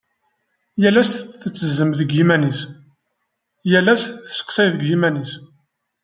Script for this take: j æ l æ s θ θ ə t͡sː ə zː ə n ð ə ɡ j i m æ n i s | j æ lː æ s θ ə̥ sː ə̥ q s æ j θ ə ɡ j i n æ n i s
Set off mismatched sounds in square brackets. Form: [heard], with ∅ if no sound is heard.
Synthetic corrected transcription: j æ l æ s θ θ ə t͡sː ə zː ə [m] ð ə ɡ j i m æ n i s | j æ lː æ s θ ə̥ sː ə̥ q s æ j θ ə ɡ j i [m] æ n i s